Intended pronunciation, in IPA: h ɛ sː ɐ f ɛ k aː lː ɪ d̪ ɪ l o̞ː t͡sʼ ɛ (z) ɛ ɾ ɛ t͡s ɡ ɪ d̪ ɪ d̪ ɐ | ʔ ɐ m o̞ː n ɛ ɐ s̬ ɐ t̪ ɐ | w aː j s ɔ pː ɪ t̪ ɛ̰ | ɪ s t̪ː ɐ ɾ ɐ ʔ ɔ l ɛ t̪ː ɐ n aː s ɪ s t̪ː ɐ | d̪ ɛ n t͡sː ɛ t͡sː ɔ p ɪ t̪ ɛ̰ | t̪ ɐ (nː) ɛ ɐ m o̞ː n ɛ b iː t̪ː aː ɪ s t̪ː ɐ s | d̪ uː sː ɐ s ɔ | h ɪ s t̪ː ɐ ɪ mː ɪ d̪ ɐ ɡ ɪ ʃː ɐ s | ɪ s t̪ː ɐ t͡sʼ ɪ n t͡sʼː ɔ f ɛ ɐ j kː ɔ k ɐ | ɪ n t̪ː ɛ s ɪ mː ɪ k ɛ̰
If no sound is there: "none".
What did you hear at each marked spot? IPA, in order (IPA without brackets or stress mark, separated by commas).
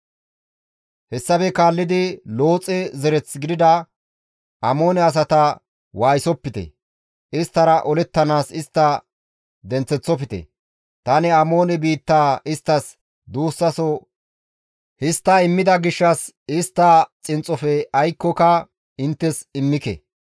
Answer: z, n